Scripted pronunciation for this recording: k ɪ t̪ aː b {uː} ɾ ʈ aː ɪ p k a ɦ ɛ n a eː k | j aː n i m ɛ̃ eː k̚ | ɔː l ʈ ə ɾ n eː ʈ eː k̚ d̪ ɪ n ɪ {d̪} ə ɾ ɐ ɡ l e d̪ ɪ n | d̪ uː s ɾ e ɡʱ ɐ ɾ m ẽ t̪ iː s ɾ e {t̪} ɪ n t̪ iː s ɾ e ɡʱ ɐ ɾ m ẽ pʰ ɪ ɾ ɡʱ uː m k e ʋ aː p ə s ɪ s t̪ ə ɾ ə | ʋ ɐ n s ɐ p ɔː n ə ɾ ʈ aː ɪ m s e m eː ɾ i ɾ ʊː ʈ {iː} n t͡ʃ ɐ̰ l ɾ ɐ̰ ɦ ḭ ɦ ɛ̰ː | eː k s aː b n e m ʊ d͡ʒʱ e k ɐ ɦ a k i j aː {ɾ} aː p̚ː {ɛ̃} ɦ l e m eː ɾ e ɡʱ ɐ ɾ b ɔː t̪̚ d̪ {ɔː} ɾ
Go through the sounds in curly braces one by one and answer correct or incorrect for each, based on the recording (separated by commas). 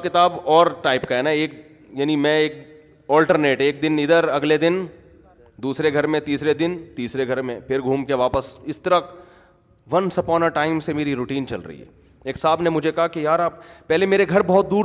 incorrect, correct, incorrect, correct, correct, incorrect, incorrect